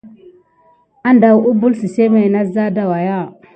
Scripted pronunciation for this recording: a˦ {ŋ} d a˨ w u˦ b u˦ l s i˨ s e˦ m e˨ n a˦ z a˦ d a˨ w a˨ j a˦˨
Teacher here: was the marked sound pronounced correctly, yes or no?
no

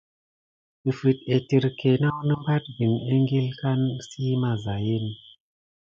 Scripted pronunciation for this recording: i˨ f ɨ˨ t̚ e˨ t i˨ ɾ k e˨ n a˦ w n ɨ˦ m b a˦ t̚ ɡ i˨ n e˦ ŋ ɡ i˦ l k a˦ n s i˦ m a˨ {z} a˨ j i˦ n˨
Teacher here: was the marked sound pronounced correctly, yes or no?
yes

